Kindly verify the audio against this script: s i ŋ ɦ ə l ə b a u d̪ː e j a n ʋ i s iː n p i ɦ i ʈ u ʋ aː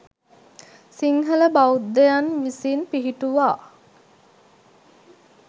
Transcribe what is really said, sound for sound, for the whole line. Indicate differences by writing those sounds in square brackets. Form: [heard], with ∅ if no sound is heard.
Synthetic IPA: s i ŋ ɦ ə l ə b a u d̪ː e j a n ʋ i s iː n p i ɦ i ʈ u ʋ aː